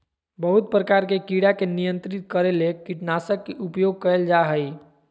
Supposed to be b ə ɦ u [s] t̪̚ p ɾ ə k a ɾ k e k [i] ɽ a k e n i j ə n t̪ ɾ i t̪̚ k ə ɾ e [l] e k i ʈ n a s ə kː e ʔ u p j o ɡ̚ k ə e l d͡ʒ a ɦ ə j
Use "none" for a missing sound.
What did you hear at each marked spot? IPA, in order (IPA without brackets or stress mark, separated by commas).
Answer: none, i, l